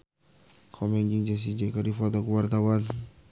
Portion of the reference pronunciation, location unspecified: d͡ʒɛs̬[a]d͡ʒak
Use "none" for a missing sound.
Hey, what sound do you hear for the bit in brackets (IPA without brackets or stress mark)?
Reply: i